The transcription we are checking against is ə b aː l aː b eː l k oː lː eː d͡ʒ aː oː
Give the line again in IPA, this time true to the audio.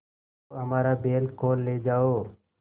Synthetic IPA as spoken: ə m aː ɾ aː b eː l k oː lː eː d͡ʒ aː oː

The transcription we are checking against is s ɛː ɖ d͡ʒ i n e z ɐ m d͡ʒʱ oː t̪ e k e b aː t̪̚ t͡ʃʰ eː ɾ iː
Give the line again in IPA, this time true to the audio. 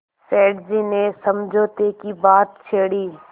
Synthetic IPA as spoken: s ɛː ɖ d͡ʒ i n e s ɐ m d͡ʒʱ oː t̪ e k i b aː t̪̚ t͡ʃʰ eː ɽ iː

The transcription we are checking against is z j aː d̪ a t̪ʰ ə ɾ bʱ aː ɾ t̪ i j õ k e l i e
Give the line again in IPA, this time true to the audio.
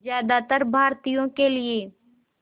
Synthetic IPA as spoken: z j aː d̪ a t̪ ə ɾ bʱ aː ɾ t̪ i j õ k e l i e

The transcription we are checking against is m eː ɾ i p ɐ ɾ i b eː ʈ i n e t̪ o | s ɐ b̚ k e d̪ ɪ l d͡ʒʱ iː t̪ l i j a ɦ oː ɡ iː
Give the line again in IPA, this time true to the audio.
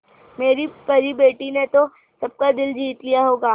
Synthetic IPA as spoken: m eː ɾ i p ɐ ɾ i b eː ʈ i n e t̪ o | s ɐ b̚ k a d̪ ɪ l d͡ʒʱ iː t̪ l i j a ɦ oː ɡ aː

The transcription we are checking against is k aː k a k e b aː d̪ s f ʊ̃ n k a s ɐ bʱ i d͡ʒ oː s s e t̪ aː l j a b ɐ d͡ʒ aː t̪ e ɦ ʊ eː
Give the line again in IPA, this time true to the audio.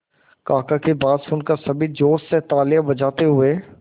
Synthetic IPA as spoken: k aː k a k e b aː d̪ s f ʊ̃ n k a s ɐ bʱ i d͡ʒ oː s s e t̪ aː l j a b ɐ d͡ʒ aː t̪ e ɦ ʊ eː

